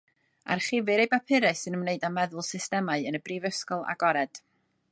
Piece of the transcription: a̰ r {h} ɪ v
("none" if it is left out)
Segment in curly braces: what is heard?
χ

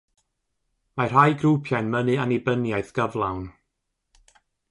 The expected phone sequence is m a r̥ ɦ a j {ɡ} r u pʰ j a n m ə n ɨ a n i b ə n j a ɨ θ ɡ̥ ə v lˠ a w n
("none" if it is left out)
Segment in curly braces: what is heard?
ɡ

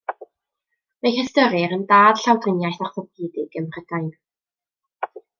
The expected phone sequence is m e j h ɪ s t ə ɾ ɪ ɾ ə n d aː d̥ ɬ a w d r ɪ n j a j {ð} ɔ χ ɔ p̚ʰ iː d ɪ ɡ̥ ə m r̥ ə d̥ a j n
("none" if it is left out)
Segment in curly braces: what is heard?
θ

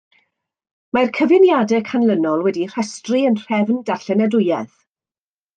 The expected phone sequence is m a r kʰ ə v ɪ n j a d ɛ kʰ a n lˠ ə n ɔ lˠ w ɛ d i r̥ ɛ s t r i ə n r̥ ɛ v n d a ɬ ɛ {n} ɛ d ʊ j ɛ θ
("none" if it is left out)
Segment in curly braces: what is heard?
n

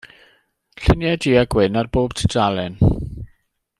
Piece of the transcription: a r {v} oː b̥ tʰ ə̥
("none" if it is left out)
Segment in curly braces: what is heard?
b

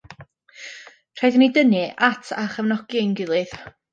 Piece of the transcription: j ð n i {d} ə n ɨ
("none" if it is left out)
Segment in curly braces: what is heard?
d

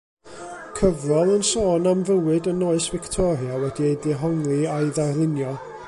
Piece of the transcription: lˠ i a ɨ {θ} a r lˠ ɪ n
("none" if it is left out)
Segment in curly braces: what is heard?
ð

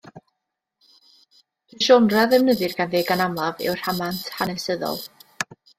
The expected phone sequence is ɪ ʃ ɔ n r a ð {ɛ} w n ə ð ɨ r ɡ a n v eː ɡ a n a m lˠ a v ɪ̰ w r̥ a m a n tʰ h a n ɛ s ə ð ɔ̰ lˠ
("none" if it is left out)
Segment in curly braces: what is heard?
ɛ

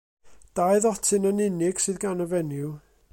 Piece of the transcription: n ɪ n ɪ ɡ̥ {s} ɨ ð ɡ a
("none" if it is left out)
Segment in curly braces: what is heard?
s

